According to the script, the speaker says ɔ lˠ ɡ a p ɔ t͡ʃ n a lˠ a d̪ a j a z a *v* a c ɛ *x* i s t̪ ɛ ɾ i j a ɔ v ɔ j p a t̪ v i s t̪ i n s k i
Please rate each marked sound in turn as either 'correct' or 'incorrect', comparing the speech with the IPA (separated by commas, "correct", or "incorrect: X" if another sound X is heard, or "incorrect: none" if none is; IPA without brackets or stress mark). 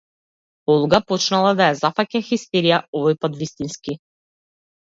incorrect: f, correct